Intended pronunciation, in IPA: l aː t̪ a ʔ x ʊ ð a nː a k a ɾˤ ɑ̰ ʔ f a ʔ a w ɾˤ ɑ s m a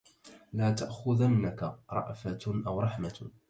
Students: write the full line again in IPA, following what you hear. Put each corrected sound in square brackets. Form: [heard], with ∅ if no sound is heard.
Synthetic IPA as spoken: l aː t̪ a ʔ x ʊ ð a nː a k a ɾˤ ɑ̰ ʔ f a ʔ a w ɾˤ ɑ [ħ] m a